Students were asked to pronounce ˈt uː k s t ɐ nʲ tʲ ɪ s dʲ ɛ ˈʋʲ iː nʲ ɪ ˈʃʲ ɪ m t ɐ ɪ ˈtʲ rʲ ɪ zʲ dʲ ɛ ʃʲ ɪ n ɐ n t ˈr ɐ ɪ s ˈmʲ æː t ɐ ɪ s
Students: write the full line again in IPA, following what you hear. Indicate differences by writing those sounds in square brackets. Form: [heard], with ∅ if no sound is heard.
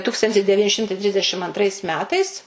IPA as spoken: ˈt uː k s t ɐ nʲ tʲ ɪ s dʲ ɛ ˈʋʲ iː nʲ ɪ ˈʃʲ ɪ m t ɐ ɪ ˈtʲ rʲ ɪ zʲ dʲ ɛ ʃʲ ɪ [m] ɐ n t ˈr ɐ ɪ s ˈmʲ æː t ɐ ɪ s

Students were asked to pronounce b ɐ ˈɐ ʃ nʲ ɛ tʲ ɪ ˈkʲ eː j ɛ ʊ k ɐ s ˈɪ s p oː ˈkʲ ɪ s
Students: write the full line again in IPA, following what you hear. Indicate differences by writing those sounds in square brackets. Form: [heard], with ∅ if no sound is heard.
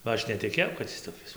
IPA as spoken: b ɐ ˈɐ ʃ nʲ ɛ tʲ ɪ ˈkʲ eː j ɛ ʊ k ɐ [t] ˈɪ s [t] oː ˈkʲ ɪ s

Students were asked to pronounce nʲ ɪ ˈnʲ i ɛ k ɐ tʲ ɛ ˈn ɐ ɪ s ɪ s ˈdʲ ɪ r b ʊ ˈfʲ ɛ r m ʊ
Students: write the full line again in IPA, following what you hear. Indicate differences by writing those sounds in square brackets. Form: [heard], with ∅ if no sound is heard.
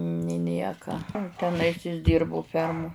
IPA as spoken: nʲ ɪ ˈnʲ i ɛ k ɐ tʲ ɛ ˈn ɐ ɪ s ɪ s ˈdʲ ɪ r b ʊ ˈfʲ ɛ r m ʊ

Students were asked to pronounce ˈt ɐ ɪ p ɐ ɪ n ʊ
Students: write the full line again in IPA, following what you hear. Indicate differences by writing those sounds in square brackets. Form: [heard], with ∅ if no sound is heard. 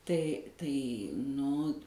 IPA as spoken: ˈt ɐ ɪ [t] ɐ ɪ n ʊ

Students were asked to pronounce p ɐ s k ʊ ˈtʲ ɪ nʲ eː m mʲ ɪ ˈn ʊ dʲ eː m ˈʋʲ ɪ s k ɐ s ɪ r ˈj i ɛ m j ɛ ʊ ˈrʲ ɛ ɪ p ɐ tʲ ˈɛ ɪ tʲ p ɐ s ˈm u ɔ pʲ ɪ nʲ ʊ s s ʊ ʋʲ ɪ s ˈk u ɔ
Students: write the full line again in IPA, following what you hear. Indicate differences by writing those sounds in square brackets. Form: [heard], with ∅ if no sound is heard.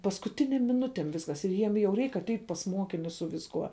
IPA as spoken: p ɐ s k ʊ ˈtʲ ɪ nʲ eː m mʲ ɪ ˈn ʊ [tʲ] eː m ˈʋʲ ɪ s k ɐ s ɪ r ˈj i ɛ m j ɛ ʊ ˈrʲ ɛ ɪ [k] ɐ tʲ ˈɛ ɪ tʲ p ɐ s ˈm u ɔ [kʲ] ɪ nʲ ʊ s s ʊ ʋʲ ɪ s ˈk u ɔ

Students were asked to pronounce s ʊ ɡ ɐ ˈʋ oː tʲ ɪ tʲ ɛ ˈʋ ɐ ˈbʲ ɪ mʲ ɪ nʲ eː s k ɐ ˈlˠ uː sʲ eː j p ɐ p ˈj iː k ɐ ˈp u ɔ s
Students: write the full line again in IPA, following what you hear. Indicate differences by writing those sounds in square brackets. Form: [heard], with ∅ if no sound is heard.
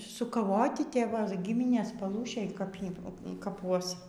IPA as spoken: s ʊ [k] ɐ ˈʋ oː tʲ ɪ tʲ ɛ ˈʋ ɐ [ˈɡʲ] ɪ mʲ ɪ nʲ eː s [p] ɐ ˈlˠ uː [ʃʲ] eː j [k] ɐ p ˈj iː k ɐ ˈp u ɔ s

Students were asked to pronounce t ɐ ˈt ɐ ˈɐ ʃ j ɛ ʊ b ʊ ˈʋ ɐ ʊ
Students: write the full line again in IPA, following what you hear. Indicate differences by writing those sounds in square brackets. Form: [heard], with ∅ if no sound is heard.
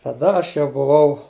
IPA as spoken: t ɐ [ˈd] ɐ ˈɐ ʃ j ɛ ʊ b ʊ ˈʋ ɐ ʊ

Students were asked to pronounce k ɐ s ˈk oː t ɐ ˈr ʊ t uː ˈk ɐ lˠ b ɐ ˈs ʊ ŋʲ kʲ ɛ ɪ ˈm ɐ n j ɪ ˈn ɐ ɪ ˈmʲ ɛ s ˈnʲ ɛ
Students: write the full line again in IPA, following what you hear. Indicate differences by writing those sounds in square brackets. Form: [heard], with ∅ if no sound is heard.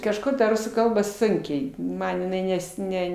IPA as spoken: k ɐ [ʃ] ˈk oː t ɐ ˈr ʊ [s] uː ˈk ɐ lˠ b ɐ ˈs ʊ ŋʲ kʲ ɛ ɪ ˈm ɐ n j ɪ ˈn ɐ ɪ [ˈnʲ] ɛ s ˈnʲ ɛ

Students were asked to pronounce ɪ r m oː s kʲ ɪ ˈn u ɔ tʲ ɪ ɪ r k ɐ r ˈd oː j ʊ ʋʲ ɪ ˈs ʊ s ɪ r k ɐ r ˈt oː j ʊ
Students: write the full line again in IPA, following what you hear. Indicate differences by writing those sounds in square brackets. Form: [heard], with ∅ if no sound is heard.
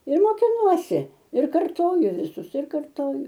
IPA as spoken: ɪ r m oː [∅] kʲ ɪ ˈn u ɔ [sʲ] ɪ ɪ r k ɐ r [ˈt] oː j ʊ ʋʲ ɪ ˈs ʊ s ɪ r k ɐ r ˈt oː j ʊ

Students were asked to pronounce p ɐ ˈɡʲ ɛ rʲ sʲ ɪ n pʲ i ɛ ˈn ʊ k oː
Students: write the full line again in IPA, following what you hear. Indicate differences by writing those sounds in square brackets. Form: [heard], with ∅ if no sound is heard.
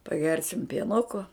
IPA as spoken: p ɐ ˈɡʲ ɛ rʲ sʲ ɪ [m] pʲ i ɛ ˈn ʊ k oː

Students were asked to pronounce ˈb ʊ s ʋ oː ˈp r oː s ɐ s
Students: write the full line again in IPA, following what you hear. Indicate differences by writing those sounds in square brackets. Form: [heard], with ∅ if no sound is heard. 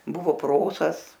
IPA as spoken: ˈb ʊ [∅] ʋ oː ˈp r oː s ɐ s

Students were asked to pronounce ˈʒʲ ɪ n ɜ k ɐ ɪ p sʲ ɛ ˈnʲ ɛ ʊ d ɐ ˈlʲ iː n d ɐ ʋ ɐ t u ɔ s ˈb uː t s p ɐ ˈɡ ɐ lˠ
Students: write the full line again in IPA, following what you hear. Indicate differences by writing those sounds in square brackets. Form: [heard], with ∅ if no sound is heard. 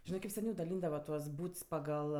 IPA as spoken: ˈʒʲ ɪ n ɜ k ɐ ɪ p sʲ ɛ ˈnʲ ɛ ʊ d ɐ ˈlʲ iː n d ɐ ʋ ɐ t u ɔ s ˈb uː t s p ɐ ˈɡ ɐ lˠ

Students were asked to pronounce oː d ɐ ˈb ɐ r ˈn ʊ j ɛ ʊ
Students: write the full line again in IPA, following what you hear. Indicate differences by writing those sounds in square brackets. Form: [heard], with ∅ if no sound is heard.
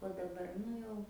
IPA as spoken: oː d ɐ ˈb ɐ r ˈn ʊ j ɛ ʊ

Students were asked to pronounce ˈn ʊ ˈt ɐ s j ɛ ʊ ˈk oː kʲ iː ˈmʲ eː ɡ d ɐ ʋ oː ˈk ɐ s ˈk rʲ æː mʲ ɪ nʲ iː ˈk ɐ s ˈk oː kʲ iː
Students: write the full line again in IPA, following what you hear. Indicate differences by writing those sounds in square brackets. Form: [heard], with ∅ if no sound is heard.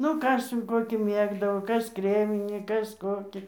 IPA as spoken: ˈn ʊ [ˈk] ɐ s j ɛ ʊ ˈk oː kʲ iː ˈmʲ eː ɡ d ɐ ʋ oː ˈk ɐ s ˈk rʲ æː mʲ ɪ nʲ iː ˈk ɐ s ˈk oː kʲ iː

